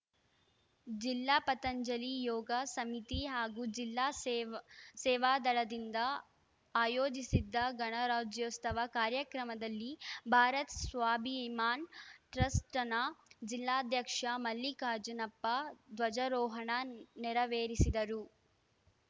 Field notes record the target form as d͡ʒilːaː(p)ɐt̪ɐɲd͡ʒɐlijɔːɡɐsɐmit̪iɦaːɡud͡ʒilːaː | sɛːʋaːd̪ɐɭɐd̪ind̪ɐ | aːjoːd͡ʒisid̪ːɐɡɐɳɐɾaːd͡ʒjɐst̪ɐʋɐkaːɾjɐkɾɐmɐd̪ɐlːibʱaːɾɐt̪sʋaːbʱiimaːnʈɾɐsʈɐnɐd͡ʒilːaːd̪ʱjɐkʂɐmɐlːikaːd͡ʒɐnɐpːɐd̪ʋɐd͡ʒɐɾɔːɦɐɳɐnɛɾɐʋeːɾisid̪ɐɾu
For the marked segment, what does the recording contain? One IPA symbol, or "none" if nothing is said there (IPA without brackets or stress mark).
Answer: p